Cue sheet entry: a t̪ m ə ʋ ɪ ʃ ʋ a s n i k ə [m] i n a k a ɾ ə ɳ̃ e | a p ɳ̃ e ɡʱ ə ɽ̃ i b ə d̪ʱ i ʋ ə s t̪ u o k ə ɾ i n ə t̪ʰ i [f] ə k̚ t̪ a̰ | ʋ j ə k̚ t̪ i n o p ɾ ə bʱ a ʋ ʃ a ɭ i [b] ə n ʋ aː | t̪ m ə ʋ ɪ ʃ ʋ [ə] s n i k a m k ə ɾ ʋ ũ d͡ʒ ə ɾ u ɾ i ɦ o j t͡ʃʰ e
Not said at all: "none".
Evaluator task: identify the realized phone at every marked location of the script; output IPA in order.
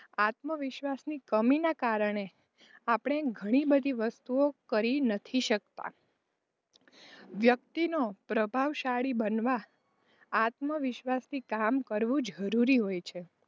m, ʃ, b, a

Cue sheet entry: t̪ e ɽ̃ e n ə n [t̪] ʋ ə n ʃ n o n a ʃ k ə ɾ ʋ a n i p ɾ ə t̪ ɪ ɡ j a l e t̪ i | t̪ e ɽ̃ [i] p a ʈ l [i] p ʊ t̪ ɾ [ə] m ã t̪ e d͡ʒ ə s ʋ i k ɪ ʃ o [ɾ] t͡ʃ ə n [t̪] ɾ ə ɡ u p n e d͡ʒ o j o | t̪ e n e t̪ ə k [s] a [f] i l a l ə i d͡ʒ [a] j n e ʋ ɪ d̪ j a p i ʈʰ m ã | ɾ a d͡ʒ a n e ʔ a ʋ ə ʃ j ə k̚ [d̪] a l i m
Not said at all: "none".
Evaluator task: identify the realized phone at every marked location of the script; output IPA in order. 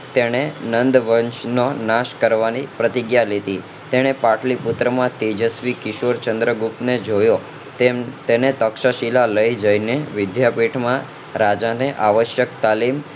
d̪, e, i, ə, ɾ, d̪, ʃ, ʃ, ə, t̪

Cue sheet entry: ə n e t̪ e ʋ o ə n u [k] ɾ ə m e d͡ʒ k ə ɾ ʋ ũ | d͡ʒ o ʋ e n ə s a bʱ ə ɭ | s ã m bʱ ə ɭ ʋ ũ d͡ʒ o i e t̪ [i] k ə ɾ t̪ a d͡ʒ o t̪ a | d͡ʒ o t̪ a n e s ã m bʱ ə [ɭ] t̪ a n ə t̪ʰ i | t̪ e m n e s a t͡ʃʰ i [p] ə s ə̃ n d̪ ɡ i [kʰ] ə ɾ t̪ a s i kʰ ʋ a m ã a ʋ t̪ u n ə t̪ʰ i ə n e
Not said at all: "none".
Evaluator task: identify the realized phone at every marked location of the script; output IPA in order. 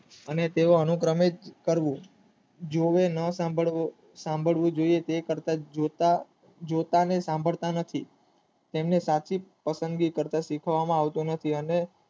k, e, ɭ, p, k

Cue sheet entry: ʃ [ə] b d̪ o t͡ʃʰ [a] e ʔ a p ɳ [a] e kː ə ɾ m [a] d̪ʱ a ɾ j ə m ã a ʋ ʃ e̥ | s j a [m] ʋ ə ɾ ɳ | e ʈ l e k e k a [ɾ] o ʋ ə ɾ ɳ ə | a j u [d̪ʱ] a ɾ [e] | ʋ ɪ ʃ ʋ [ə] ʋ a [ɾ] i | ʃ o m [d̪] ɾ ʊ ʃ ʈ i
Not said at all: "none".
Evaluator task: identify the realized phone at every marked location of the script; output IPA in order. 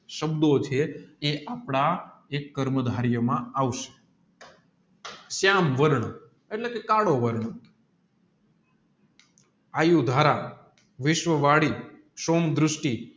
ə, e, a, ə, m, ɽ, d̪ʱ, a, ə, ɽ, d̪

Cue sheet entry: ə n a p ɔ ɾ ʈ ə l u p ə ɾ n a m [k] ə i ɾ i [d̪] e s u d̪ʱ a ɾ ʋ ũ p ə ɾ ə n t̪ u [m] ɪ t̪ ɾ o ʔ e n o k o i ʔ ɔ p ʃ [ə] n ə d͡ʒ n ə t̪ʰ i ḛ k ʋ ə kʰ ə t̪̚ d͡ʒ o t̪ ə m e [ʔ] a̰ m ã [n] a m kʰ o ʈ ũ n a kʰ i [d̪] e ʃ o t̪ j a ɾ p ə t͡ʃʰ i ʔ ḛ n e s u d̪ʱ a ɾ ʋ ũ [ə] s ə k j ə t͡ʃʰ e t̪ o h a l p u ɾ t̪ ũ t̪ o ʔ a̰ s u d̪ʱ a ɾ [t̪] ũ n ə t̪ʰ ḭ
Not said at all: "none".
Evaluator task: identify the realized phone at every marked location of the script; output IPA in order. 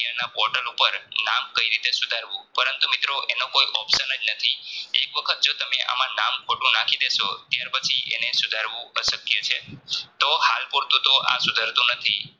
k, t̪, m, ə, ʔ, n, d̪, ə, t̪

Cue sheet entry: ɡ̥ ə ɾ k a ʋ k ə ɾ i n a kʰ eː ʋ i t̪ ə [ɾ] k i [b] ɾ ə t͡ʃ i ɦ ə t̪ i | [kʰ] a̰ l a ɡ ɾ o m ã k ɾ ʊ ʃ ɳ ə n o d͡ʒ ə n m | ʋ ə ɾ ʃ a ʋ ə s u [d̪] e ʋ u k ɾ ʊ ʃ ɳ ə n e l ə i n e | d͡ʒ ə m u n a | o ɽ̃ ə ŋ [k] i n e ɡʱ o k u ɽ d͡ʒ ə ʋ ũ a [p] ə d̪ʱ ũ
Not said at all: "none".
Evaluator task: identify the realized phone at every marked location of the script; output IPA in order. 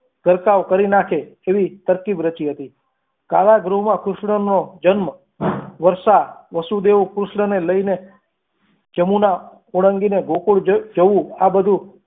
ɾ, b, k, d̪, ɡ, b

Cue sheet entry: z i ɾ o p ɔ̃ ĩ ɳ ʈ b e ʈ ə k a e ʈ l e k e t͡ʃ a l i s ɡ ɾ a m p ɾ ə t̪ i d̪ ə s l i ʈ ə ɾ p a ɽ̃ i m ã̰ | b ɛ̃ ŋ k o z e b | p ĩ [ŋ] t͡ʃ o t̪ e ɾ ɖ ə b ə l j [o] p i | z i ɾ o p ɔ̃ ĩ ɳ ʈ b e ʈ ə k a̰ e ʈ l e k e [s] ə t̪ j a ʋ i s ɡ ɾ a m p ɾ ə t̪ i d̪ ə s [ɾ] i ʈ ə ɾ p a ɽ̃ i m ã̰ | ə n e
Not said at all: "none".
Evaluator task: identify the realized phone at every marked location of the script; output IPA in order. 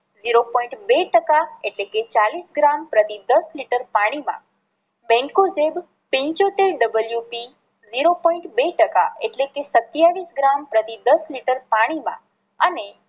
ɲ, u, s, l

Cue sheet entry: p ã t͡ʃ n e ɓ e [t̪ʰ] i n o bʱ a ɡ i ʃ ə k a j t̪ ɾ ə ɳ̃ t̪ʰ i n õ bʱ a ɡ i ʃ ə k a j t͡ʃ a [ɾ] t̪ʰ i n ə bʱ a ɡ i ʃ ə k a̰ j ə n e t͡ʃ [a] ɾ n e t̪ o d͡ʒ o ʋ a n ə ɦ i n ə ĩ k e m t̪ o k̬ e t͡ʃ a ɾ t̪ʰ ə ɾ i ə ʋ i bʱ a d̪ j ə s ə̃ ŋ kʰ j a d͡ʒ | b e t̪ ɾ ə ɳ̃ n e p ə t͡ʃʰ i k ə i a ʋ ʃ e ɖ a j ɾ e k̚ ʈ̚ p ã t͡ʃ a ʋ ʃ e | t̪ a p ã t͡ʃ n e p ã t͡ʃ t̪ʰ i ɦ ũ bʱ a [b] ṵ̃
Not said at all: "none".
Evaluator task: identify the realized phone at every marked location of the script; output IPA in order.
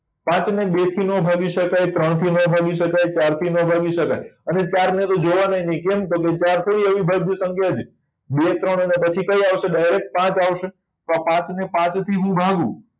t̪ʰ, ɾ, a, ɡ

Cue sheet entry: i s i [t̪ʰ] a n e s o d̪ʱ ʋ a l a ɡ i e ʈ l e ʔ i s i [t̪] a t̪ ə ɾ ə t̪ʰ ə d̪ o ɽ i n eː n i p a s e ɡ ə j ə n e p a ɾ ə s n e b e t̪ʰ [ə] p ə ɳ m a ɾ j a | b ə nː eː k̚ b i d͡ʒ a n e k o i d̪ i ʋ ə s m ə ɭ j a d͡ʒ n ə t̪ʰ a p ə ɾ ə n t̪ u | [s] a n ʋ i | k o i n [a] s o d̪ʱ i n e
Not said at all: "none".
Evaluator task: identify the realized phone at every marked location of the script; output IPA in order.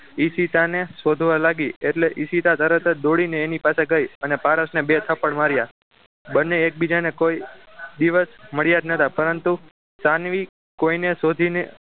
t̪, t̪, ə, s, e

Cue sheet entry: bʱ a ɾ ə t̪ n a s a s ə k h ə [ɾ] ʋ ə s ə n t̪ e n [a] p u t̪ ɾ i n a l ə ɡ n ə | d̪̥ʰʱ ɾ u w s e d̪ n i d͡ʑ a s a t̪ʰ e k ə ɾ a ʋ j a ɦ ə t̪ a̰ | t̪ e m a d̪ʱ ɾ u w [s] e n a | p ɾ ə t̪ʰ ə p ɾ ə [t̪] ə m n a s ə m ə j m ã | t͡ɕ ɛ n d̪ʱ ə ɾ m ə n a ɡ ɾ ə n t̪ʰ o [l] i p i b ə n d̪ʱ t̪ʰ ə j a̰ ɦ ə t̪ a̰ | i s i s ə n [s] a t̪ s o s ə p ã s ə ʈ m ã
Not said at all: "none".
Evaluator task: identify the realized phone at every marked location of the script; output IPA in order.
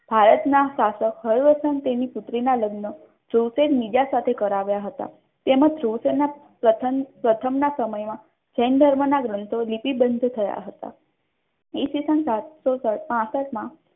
ɾ, i, s, t̪ʰ, l, s

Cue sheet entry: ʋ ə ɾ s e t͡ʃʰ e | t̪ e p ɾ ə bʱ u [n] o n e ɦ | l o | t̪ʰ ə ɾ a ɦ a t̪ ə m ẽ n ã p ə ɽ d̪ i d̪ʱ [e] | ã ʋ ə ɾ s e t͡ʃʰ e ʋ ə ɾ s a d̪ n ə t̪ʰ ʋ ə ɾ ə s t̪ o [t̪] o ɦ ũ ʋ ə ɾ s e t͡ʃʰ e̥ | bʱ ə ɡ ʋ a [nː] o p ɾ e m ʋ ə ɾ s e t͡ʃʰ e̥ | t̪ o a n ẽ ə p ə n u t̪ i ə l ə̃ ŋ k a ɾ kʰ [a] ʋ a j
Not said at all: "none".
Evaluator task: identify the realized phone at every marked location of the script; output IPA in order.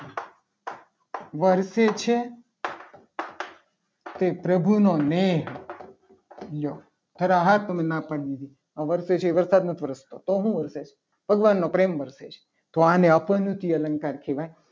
n, i, t̪, nː, e

